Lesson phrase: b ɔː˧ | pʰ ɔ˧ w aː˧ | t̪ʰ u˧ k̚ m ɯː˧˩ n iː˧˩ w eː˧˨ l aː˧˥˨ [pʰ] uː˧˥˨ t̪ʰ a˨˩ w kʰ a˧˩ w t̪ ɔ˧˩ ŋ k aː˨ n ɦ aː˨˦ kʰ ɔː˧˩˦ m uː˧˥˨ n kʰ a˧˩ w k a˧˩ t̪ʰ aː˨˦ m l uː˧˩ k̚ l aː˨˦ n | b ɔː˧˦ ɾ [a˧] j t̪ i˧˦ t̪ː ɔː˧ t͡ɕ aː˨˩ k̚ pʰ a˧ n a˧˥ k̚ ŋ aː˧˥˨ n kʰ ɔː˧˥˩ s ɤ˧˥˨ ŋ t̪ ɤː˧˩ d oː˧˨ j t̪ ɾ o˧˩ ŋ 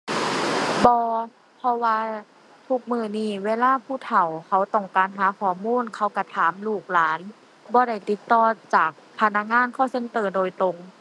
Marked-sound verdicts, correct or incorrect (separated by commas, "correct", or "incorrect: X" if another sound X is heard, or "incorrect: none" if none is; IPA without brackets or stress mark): correct, incorrect: a˧˩